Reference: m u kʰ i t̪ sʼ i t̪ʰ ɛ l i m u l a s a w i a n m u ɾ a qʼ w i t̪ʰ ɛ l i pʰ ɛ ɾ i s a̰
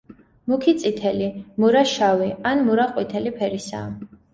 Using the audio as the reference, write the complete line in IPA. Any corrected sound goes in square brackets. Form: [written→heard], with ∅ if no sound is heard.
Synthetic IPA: m u kʰ i t̪ sʼ i t̪ʰ ɛ l i m u [l→ɾ] a [s→ʃ] a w i a n m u ɾ a qʼ w i t̪ʰ ɛ l i pʰ ɛ ɾ i s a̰